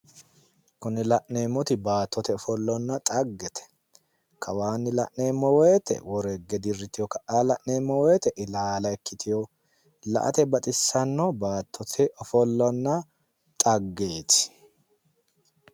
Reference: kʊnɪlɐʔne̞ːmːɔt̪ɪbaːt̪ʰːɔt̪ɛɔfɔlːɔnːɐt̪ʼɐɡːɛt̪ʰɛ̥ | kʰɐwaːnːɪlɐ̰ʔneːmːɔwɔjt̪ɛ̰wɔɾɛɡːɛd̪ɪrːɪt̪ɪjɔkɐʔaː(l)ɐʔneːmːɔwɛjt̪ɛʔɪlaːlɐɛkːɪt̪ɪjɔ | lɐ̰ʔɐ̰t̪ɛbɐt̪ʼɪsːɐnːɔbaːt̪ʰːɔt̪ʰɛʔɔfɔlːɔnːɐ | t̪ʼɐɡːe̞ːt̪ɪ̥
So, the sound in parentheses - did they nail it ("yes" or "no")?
yes